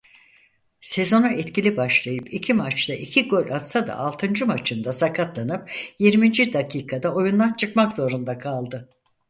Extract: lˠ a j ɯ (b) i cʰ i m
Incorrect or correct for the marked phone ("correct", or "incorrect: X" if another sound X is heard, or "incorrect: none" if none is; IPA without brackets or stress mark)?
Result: incorrect: p